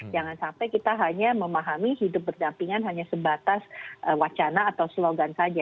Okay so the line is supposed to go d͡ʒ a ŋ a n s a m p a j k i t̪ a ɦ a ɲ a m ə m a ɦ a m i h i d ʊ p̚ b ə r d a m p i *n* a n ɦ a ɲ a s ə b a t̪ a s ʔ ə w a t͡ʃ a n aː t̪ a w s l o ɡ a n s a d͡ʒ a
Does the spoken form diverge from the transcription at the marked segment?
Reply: yes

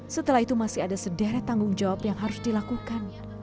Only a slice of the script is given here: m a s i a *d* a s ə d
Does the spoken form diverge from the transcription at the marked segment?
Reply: no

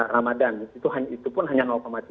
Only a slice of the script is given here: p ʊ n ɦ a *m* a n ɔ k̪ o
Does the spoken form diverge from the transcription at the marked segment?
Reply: yes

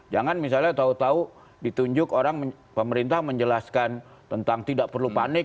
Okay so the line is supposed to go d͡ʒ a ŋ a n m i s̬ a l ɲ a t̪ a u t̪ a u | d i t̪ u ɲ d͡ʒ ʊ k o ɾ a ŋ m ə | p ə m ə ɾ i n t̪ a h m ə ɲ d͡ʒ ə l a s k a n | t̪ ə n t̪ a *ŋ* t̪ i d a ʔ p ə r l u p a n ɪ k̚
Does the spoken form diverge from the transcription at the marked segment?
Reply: no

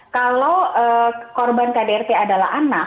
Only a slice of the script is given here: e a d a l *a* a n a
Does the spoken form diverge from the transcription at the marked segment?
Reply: no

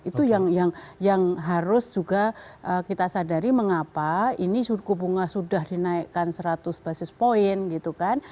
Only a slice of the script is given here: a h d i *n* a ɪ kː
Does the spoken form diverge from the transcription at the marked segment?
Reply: no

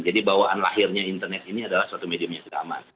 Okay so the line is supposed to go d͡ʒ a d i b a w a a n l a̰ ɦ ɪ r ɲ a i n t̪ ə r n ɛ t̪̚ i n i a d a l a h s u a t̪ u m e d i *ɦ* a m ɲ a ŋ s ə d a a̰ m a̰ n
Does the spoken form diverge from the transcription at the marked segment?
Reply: yes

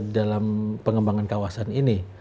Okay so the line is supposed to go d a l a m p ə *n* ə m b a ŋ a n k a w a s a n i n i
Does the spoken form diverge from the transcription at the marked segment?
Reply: yes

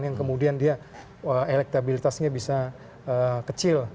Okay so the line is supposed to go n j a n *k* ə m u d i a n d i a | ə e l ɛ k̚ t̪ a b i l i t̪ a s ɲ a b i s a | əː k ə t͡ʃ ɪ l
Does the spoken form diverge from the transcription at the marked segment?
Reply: no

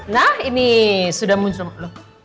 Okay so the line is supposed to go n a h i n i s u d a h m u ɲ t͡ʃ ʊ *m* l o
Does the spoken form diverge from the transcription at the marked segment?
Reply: no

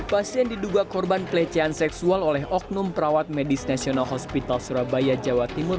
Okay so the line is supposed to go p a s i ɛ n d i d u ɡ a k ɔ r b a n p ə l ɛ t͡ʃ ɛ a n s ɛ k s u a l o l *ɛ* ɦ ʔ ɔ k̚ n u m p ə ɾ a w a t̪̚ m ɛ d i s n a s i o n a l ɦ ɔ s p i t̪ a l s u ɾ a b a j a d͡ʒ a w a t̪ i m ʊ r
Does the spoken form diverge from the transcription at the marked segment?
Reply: no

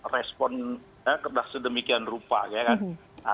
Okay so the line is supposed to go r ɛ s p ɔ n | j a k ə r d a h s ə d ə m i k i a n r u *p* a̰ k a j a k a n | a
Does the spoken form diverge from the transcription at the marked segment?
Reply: no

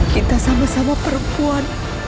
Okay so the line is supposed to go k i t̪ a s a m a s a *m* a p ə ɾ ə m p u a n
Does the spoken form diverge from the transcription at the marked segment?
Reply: no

